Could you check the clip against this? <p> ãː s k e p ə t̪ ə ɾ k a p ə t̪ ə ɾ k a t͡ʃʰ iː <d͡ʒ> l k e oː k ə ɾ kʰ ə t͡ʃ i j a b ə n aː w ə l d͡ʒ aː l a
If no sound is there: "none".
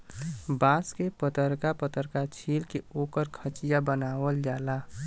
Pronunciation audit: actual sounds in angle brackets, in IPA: b, none

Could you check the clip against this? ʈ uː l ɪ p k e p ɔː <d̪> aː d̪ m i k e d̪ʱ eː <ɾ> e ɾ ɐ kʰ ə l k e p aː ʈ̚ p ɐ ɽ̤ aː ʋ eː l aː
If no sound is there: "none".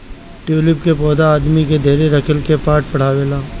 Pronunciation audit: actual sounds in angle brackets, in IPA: d̪, ɾ

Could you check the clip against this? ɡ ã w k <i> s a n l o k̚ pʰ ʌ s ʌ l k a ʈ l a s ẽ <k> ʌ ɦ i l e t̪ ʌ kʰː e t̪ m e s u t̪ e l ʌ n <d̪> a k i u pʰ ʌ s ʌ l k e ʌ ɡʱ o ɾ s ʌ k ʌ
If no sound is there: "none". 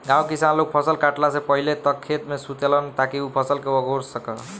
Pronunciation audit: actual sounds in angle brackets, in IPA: i, p, t̪

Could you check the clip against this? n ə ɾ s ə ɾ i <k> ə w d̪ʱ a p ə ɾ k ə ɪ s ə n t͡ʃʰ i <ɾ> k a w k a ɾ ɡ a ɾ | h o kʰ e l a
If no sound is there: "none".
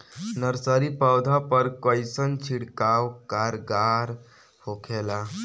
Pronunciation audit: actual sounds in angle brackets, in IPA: p, ɽ

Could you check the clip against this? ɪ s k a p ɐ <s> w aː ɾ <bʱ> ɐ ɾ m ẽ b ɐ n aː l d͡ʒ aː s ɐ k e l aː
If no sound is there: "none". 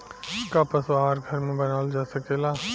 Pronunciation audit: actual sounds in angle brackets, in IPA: s, ɡʱ

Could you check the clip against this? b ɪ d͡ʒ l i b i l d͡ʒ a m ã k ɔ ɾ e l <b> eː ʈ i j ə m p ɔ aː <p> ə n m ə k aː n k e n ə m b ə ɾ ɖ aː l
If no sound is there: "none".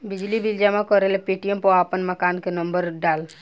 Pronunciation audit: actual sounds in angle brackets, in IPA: p, p

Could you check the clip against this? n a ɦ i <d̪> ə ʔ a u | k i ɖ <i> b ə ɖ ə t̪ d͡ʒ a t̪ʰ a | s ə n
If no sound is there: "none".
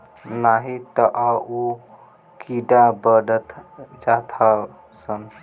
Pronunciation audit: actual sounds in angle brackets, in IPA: t̪, a

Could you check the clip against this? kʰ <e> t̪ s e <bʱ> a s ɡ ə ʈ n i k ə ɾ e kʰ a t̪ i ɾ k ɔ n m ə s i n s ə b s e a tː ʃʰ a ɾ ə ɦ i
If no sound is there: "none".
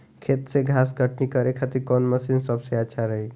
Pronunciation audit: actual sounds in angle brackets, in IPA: e, ɡʱ

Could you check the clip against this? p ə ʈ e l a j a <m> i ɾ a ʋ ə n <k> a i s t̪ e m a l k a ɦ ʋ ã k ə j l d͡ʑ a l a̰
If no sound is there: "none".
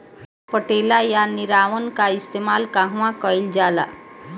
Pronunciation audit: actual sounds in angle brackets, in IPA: n, k

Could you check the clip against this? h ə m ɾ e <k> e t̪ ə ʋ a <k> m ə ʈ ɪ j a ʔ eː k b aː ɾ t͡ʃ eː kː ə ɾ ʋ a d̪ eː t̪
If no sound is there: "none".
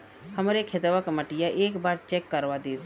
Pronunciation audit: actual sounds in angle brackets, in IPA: kʰ, k

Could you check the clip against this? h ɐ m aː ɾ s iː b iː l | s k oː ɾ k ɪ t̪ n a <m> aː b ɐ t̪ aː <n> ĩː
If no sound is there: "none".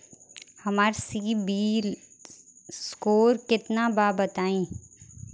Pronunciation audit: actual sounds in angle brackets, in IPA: b, none

